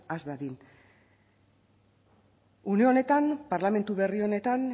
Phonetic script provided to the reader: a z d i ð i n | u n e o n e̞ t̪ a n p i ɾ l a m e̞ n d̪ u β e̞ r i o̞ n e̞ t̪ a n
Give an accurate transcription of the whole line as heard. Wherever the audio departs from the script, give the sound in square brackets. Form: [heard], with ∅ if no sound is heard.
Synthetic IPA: a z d [a] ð i n | u n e o n e̞ t̪ a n p [a] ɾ l a m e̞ n [t̪] u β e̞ r i o̞ n e̞ t̪ a n